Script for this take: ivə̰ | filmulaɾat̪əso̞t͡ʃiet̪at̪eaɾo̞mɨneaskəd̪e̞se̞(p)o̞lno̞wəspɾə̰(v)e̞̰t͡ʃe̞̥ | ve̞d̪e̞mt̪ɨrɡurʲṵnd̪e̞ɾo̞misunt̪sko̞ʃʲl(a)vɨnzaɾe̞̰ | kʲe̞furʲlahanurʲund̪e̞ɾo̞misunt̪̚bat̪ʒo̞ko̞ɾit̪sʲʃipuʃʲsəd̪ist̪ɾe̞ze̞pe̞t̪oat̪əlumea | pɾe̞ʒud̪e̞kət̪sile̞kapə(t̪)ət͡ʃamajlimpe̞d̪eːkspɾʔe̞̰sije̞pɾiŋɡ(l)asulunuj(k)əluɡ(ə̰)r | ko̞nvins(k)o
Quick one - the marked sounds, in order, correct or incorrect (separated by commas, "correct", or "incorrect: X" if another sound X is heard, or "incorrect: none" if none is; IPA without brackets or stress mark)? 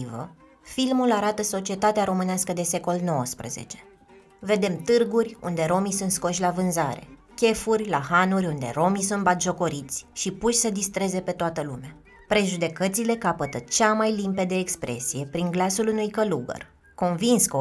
incorrect: k, incorrect: z, correct, correct, correct, correct, correct, correct